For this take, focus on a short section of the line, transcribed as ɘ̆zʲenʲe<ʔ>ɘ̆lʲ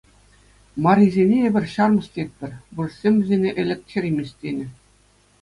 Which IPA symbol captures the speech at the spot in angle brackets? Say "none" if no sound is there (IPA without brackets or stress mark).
ʔ